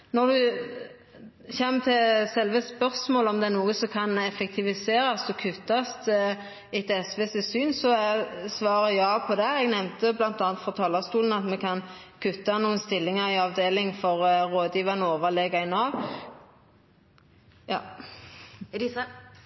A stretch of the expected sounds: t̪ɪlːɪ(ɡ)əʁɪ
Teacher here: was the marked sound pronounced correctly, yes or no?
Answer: no